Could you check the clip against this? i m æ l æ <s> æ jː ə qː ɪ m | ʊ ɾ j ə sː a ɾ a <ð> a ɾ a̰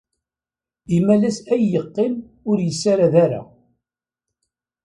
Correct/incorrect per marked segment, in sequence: correct, correct

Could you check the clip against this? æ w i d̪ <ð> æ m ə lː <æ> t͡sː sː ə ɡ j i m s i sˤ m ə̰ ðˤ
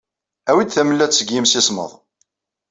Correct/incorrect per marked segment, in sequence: incorrect, correct

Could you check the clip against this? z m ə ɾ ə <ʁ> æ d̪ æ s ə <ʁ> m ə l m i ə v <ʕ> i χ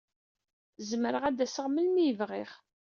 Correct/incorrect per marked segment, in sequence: correct, correct, incorrect

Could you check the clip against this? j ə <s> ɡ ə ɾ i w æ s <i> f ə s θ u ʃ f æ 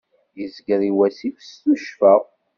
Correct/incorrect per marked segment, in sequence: incorrect, correct

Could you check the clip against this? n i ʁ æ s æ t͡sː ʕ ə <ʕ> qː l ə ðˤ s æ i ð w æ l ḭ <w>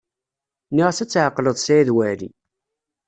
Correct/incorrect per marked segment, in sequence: incorrect, incorrect

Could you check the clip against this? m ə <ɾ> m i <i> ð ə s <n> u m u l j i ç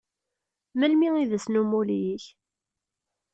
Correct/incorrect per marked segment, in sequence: incorrect, correct, correct

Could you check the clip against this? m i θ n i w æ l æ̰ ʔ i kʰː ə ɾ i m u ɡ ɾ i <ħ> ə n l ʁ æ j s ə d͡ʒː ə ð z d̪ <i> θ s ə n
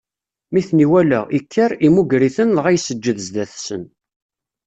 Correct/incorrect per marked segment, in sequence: incorrect, incorrect

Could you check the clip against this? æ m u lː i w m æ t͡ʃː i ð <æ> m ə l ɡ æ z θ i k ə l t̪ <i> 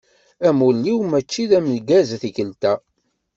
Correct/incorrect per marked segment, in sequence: correct, incorrect

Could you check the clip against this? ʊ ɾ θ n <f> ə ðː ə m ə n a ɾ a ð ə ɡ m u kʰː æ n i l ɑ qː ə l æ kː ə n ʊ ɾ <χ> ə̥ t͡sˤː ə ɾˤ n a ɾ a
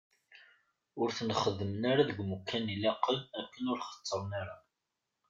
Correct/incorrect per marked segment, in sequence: incorrect, correct

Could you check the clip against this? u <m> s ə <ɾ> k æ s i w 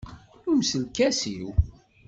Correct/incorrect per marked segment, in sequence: correct, incorrect

